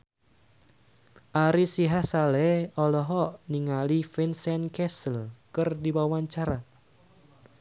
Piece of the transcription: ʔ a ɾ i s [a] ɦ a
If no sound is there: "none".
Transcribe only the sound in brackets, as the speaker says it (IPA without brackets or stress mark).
i